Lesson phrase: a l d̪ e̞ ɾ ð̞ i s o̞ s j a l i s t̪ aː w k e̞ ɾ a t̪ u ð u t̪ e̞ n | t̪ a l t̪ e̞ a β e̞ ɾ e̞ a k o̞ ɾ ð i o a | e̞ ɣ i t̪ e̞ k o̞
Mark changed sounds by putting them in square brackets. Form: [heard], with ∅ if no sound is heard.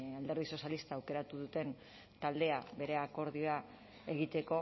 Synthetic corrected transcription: a l d̪ e̞ ɾ ð̞ i s o̞ s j a l i s t̪ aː w k e̞ ɾ a t̪ u ð u t̪ e̞ n | t̪ a l [d̪] e̞ a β e̞ ɾ e̞ a k o̞ ɾ ð i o a | e̞ ɣ i t̪ e̞ k o̞